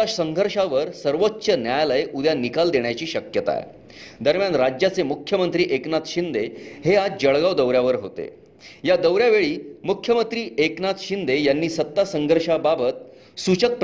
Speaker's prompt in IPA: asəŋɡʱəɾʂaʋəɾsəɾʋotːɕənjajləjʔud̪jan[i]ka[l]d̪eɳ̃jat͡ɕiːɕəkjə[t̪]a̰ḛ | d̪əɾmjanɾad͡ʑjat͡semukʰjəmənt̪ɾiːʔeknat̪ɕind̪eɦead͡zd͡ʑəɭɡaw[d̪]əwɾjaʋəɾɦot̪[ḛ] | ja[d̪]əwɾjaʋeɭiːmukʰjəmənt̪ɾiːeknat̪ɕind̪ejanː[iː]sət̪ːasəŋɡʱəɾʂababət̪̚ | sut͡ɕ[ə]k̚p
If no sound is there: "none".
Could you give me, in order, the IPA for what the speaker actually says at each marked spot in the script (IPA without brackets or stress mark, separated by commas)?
i, l, t̪, d̪, ḛ, d̪, iː, ə